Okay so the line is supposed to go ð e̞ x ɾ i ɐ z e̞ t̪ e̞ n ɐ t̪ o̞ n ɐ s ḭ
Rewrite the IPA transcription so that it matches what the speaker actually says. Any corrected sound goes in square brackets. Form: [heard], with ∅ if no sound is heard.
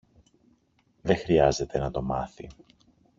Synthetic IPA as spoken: ð e̞ x ɾ i ɐ z e̞ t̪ e̞ n ɐ t̪ o̞ [m] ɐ [θ] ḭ